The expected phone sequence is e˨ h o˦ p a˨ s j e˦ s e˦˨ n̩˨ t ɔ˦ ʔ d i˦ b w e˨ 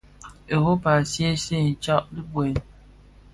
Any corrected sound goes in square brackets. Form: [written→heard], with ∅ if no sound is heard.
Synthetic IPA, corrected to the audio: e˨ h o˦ p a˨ s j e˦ s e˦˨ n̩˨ [t→t͡ʃ] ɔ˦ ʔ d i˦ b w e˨